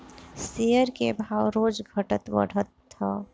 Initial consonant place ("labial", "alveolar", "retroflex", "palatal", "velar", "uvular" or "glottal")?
alveolar